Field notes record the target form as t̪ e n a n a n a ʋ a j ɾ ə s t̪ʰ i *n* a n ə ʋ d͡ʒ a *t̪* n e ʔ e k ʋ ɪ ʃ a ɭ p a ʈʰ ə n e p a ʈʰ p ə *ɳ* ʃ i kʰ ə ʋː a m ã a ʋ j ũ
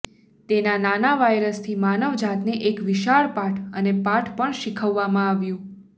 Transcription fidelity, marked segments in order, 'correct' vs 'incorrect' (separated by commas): incorrect, correct, correct